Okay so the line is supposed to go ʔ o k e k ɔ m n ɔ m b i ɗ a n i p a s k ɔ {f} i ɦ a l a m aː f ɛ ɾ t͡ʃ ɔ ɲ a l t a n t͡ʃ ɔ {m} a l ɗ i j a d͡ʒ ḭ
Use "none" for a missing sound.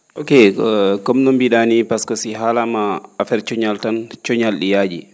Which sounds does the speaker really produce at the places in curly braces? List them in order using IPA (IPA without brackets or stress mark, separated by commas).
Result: s, ɲ